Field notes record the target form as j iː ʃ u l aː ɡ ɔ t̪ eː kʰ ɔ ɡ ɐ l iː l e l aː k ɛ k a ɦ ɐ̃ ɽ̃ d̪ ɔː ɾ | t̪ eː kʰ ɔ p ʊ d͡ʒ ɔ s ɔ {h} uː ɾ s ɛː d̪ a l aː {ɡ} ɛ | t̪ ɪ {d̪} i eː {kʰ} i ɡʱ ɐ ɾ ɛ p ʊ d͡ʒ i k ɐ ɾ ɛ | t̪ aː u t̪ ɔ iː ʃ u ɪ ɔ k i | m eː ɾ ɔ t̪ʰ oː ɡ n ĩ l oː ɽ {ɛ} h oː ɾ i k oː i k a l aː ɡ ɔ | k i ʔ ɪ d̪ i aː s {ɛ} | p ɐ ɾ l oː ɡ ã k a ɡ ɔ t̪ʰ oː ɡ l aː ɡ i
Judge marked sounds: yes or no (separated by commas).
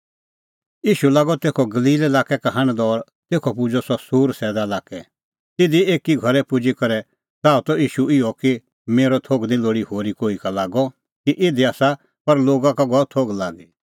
no, no, yes, no, no, no